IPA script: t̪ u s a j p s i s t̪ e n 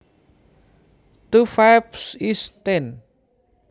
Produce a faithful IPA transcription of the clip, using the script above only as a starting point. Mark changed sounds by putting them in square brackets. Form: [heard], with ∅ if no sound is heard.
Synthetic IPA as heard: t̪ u [f] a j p s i s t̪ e n